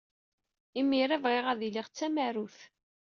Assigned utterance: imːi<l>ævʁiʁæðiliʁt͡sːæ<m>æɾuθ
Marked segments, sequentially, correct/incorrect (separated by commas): incorrect, correct